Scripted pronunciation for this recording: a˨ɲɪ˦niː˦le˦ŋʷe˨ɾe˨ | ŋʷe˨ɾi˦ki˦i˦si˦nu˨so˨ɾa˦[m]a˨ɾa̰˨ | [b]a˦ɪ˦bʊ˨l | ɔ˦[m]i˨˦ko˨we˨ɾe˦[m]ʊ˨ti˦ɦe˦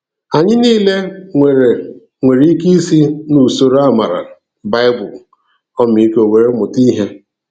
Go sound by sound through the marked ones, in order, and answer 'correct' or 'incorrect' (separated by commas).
correct, correct, correct, correct